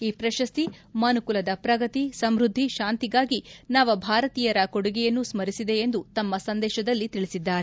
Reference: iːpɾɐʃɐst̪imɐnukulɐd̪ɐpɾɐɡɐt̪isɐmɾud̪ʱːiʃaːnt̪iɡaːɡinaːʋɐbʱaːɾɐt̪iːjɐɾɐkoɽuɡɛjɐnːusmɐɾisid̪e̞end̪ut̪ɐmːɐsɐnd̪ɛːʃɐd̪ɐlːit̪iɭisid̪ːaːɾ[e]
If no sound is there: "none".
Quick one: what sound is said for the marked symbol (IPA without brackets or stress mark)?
e